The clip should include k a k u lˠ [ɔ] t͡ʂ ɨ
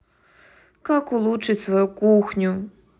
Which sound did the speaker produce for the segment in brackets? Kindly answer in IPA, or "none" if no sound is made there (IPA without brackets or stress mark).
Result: u